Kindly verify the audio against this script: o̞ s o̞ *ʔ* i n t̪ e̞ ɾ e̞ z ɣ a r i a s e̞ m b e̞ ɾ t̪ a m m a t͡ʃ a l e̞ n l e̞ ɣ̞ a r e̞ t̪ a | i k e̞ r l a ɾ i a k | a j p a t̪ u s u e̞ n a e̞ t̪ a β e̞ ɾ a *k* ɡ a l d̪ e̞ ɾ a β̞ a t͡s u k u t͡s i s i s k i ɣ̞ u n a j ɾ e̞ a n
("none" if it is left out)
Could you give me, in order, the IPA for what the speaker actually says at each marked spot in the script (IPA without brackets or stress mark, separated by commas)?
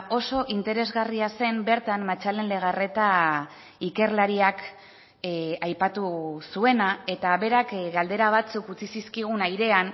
ʔ, k